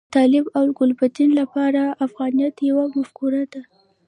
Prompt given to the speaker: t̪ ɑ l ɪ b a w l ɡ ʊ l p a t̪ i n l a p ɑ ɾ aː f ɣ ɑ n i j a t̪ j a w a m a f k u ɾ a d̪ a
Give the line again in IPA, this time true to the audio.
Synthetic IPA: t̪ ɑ l ɪ b a w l ɡ ʊ l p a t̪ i n l a p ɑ ɾ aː f ɣ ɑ n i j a t̪ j a w a m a f k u ɾ a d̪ a